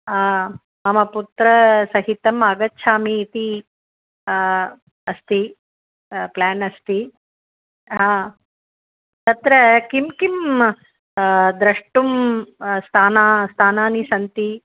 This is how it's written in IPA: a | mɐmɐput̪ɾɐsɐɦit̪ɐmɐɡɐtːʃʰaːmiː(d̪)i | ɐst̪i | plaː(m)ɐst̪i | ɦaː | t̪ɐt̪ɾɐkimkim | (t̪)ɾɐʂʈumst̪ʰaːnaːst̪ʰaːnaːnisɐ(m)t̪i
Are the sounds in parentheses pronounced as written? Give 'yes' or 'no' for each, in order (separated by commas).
no, no, no, no